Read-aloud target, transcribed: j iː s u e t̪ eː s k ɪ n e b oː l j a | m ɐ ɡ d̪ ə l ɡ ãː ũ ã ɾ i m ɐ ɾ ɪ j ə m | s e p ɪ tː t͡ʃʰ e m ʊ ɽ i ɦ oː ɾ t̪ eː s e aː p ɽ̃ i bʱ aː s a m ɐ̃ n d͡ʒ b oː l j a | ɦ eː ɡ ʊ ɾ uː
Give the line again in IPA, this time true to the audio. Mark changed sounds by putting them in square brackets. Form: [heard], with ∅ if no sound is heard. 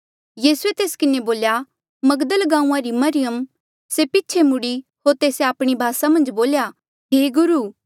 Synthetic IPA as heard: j iː s u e t̪ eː s k ɪ n e b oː l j a | m ɐ ɡ d̪ ə l ɡ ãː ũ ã ɾ i m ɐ ɾ ɪ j ə m | s e p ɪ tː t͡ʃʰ e m ʊ ɽ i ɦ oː ɾ t̪ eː s e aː p ɽ̃ i bʱ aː s a m ɐ̃ n d͡ʒ b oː l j a | ɦ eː ɡ ʊ ɾ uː

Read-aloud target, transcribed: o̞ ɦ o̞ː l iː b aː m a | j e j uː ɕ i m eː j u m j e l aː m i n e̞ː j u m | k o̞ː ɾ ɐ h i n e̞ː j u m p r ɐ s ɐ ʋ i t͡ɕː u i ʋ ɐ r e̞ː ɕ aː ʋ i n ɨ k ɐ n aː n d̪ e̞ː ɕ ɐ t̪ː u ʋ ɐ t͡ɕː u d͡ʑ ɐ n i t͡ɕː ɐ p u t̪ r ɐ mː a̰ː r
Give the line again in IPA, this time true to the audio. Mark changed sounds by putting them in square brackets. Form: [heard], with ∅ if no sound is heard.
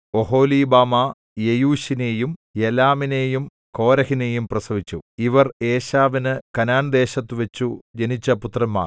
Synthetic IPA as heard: o̞ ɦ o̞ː l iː b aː m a | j e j uː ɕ i [n] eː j u m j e l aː m i n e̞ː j u m | k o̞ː ɾ ɐ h i n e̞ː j u m p r ɐ s ɐ ʋ i t͡ɕː u i ʋ ɐ r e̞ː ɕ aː ʋ i n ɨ k ɐ n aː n d̪ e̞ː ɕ ɐ t̪ː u ʋ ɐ t͡ɕː u d͡ʑ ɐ n i t͡ɕː ɐ p u t̪ r ɐ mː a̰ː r

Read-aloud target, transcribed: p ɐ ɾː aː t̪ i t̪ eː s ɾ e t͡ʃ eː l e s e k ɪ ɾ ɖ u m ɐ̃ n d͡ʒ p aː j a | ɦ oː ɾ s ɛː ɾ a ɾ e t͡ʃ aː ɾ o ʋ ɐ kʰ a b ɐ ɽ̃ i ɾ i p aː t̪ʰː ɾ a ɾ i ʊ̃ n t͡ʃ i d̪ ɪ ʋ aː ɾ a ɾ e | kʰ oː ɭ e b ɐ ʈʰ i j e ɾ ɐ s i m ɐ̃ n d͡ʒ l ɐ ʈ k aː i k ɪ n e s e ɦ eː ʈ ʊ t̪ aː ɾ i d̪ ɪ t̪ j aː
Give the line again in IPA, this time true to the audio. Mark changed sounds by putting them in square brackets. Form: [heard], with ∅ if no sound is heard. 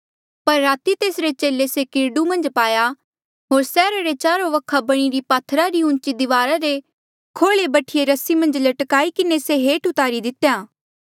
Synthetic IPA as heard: p ɐ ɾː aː t̪ i t̪ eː s ɾ e t͡ʃ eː l e s e k ɪ ɾ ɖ u m ɐ̃ n d͡ʒ p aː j a | ɦ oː ɾ s ɛː ɾ a ɾ e t͡ʃ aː ɾ o ʋ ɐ kʰ a b ɐ ɽ̃ i ɾ i p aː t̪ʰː ɾ a ɾ i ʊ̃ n t͡ʃ i d̪ ɪ ʋ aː ɾ a ɾ e | kʰ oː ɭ e b ɐ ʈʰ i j e ɾ ɐ s i m ɐ̃ n d͡ʒ l ɐ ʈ k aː i k ɪ n e s e ɦ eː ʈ ʊ t̪ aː ɾ i d̪ ɪ t̪ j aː

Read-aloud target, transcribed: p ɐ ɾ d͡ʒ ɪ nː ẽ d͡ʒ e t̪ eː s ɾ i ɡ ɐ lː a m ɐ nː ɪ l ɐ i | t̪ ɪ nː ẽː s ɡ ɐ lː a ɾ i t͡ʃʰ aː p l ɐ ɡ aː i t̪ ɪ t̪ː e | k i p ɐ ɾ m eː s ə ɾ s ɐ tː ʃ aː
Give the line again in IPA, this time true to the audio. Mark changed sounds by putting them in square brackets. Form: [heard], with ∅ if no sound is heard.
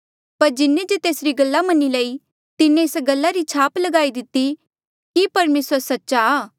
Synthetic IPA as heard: p ɐ ɾ d͡ʒ ɪ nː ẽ d͡ʒ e t̪ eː s ɾ i ɡ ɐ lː a m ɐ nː [i] l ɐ i | t̪ ɪ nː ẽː s ɡ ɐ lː a ɾ i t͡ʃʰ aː p l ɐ ɡ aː i [d̪] ɪ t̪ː [i] | k i p ɐ ɾ m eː s ə ɾ s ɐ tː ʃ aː

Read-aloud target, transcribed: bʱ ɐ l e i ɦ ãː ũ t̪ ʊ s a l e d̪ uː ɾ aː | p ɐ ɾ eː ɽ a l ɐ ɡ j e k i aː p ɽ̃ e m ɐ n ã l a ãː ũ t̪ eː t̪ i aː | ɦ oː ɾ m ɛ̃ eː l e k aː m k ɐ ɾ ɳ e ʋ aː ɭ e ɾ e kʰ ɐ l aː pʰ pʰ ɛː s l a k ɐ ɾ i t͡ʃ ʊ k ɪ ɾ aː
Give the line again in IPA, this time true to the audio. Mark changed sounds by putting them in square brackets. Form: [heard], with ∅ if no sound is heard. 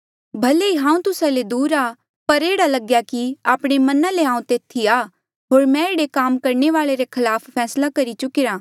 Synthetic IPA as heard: bʱ ɐ l e i ɦ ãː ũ t̪ ʊ s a l e d̪ uː ɾ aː | p ɐ ɾ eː ɽ a l ɐ ɡ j [a] k i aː p ɽ̃ e m ɐ n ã l [e] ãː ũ t̪ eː [t̪ʰ] i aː | ɦ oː ɾ m ɛ̃ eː [ɽ] e k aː m k ɐ ɾ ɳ e ʋ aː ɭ e ɾ e kʰ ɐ l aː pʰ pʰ ɛː s l a k ɐ ɾ i t͡ʃ ʊ k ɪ ɾ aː

